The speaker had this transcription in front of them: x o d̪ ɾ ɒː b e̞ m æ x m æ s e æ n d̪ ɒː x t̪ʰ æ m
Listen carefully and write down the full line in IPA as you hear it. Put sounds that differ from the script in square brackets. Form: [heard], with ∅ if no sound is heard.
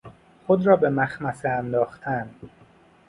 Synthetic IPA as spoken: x o d̪ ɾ ɒː b e̞ m æ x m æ s e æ n d̪ ɒː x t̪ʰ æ [n]